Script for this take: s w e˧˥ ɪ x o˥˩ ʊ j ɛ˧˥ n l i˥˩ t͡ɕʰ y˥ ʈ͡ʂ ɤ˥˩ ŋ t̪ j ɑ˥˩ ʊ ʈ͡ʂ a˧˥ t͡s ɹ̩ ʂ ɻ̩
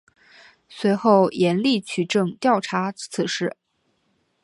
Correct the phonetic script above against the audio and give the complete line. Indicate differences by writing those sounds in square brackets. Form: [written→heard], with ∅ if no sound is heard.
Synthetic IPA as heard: s w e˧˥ ɪ x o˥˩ ʊ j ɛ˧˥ n l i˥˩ t͡ɕʰ [y˥→y˨˩] ʈ͡ʂ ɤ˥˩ ŋ t̪ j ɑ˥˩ ʊ [ʈ͡ʂ→ʈ͡ʂʰ] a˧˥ [t͡s→t͡sʰ] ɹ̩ ʂ ɻ̩